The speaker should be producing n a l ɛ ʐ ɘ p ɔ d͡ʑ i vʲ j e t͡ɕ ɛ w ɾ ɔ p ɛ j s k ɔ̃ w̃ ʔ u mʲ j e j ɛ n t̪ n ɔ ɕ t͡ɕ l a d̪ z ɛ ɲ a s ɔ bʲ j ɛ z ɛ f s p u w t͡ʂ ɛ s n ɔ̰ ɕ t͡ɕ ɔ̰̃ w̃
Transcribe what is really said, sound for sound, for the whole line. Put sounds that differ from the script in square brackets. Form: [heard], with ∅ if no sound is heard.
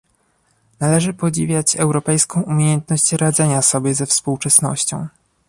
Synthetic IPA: n a l ɛ ʐ ɘ p ɔ d͡ʑ i vʲ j [a] t͡ɕ ɛ w ɾ ɔ p ɛ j s k ɔ̃ w̃ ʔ u mʲ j e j ɛ n t̪ n ɔ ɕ t͡ɕ [ɾ] a d̪ z ɛ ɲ a s ɔ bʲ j ɛ z ɛ f s p u w t͡ʂ ɛ s n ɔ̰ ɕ t͡ɕ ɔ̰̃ w̃